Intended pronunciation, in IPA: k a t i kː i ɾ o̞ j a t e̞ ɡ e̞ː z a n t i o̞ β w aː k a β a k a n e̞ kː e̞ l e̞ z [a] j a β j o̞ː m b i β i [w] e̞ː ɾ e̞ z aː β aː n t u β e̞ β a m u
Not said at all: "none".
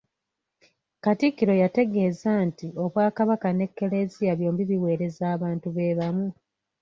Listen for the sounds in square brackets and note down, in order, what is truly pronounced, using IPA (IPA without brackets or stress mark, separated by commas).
i, w